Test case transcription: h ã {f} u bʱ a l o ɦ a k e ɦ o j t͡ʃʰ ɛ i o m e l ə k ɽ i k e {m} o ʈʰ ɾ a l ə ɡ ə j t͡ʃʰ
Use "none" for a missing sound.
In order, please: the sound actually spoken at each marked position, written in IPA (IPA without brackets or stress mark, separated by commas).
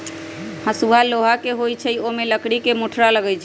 s, m